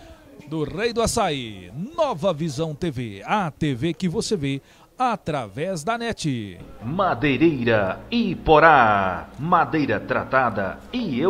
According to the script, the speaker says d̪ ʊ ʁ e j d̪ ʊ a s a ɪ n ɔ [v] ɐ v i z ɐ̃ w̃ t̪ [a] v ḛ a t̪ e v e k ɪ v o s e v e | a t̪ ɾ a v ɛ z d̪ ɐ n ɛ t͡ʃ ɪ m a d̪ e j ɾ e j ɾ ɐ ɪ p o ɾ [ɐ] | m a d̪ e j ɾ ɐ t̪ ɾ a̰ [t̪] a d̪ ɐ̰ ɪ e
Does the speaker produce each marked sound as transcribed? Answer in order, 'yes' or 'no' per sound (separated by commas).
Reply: yes, no, no, yes